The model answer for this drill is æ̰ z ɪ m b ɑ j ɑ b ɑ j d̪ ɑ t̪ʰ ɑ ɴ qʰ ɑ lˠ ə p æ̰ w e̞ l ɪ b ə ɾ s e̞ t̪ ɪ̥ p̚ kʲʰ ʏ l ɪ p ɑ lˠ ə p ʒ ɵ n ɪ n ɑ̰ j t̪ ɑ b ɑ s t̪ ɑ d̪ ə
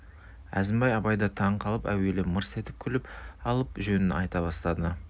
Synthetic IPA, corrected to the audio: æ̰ z ɪ m b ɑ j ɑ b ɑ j d̪ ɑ t̪ʰ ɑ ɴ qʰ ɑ lˠ ə p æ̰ w e̞ l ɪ m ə ɾ s e̞ t̪ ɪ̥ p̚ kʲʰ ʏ l ɪ p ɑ lˠ ə p ʒ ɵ n ɪ n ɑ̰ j t̪ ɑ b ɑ s t̪ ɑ d̪ ə